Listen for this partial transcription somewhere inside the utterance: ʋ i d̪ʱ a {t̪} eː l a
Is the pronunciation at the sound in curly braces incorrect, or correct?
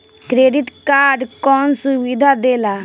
incorrect